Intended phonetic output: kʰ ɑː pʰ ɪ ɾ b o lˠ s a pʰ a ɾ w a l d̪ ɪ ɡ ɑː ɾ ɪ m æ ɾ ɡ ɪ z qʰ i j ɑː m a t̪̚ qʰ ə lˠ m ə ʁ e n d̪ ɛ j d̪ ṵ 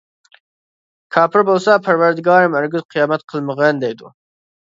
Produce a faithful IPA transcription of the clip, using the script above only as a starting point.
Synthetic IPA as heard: kʰ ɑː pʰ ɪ ɾ b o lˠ s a pʰ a ɾ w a ɾ d̪ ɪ ɡ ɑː ɾ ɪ m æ ɾ ɡ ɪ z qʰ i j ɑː m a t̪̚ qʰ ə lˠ m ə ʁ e n d̪ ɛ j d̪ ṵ